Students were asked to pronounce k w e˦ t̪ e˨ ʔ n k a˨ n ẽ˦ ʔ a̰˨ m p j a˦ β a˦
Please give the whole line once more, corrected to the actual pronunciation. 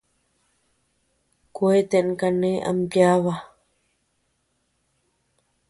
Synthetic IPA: k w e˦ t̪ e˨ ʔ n k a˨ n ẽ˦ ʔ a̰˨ m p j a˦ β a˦